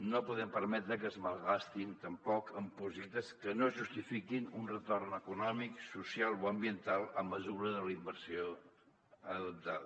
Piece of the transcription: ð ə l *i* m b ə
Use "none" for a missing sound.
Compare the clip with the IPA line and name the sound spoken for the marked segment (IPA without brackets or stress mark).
i